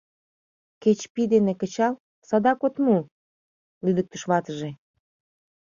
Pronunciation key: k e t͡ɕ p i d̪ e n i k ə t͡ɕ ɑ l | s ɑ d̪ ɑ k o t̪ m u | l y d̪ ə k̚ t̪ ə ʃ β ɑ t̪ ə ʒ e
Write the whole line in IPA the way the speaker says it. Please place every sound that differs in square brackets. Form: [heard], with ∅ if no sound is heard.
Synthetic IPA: k e t͡ɕ p i d̪ e n [e] k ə t͡ɕ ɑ l | s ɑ d̪ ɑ k o t̪ m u | l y d̪ ə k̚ t̪ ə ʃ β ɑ t̪ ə ʒ e